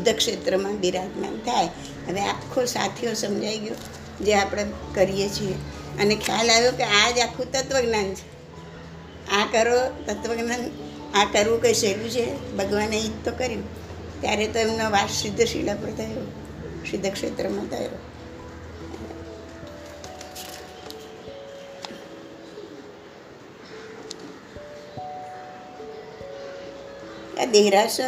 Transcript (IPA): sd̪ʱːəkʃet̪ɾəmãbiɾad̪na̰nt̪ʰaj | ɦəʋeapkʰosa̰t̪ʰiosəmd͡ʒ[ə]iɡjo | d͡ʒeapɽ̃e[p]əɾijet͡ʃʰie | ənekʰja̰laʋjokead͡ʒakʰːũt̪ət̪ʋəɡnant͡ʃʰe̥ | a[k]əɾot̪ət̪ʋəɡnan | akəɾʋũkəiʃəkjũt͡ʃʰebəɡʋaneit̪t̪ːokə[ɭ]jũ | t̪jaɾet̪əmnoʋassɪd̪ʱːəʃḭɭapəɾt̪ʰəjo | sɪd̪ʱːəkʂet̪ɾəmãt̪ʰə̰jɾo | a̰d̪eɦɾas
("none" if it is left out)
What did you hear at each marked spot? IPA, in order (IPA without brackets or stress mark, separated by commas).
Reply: a, k, k, ɾ